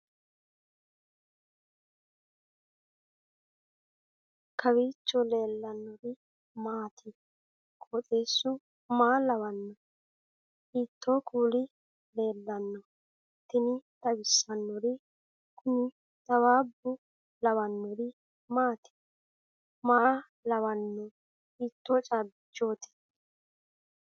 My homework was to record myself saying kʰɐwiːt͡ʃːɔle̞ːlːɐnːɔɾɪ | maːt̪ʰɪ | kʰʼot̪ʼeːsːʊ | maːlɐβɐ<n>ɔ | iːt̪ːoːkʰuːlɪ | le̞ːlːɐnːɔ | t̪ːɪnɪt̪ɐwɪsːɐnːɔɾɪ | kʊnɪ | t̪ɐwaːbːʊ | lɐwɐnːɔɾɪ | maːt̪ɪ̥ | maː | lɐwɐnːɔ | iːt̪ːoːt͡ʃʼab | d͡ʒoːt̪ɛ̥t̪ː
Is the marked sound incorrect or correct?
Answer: incorrect